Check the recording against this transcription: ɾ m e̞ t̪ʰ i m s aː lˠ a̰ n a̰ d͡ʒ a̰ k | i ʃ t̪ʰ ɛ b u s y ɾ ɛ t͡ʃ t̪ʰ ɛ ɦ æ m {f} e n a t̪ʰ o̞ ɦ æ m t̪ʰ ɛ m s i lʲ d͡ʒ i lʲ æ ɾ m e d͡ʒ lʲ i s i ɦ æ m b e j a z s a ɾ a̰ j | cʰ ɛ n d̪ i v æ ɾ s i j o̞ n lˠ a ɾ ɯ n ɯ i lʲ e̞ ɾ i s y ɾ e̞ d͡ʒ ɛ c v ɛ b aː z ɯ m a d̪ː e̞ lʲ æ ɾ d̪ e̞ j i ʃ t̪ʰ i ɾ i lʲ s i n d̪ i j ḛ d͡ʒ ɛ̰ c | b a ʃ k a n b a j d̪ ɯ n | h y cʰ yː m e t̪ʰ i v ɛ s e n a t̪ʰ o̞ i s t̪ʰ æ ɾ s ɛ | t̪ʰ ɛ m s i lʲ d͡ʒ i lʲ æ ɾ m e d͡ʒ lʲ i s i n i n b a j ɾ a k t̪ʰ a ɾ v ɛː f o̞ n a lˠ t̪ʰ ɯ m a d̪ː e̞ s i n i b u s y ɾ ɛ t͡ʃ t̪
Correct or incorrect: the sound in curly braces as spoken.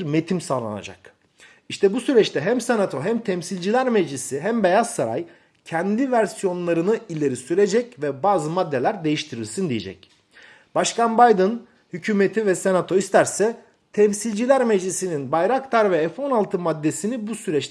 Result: incorrect: s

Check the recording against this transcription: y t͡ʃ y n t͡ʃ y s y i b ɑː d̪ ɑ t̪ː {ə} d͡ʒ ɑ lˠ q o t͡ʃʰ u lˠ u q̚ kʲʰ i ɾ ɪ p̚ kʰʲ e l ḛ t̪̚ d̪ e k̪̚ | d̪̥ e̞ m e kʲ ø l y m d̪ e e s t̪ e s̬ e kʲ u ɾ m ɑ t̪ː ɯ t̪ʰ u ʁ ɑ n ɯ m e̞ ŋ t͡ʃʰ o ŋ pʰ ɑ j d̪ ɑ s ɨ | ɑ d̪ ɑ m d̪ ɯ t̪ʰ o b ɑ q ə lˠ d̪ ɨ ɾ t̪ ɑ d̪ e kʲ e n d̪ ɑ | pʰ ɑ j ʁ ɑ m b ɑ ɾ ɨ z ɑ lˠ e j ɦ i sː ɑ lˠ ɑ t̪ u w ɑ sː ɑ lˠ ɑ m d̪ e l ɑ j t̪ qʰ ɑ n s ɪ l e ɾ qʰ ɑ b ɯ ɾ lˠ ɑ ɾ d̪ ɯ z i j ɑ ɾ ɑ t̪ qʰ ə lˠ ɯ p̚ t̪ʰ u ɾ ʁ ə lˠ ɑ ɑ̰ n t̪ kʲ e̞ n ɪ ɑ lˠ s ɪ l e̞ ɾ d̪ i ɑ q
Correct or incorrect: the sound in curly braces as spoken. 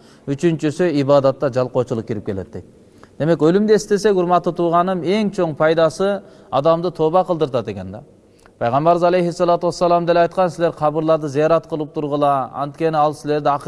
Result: incorrect: ɑ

